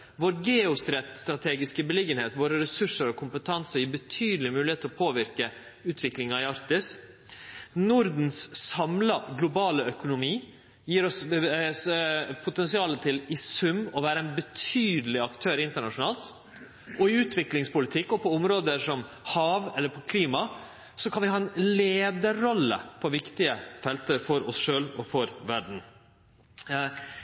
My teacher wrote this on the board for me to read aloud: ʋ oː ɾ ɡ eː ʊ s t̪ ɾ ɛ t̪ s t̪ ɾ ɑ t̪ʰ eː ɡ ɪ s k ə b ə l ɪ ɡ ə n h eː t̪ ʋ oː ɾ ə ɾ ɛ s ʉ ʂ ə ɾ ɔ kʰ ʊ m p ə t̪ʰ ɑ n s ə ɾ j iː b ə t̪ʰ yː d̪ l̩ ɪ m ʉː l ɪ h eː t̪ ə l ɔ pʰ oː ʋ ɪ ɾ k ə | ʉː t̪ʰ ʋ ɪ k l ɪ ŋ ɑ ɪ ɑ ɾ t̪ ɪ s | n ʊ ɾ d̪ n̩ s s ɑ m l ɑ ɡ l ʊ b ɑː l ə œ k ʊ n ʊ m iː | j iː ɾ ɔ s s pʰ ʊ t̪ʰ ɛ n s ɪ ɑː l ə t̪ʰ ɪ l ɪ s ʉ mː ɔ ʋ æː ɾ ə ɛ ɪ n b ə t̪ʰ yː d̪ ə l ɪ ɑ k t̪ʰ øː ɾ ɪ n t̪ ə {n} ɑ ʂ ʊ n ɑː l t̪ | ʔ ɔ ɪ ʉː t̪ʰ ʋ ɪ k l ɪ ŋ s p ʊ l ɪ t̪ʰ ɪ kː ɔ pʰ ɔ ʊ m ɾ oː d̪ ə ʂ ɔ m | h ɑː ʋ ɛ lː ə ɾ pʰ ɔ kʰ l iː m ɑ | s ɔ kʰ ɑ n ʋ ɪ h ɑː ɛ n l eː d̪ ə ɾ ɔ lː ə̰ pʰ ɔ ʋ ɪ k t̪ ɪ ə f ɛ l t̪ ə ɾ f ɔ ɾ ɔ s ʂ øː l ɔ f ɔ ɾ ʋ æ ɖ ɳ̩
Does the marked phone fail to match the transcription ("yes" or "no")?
yes